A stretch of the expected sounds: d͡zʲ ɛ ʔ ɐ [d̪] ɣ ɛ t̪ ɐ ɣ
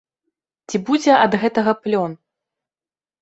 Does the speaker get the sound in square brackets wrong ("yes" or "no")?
no